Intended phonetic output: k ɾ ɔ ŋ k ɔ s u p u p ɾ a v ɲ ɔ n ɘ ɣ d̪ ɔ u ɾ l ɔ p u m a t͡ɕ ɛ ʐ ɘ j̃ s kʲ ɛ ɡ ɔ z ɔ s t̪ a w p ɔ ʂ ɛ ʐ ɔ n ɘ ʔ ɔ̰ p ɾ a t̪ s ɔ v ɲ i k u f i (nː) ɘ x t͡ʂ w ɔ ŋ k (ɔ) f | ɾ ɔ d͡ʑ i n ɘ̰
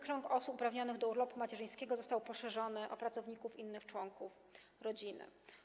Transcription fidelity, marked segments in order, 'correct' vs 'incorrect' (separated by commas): correct, incorrect